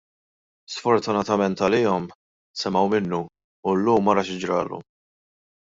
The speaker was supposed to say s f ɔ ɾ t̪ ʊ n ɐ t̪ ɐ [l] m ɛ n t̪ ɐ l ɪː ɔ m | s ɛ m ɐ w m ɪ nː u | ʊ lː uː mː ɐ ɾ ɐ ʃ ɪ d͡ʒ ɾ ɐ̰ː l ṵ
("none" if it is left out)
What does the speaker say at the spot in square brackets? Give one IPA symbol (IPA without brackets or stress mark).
none